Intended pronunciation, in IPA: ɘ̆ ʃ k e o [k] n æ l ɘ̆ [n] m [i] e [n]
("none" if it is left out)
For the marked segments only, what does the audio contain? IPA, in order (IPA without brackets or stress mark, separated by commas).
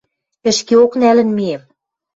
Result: k, n, i, m